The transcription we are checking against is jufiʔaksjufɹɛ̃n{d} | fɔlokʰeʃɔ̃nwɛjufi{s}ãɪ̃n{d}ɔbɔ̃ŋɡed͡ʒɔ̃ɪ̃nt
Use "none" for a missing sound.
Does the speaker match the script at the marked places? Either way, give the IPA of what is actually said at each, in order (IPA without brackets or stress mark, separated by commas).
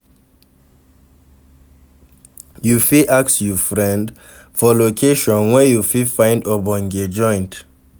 d, f, d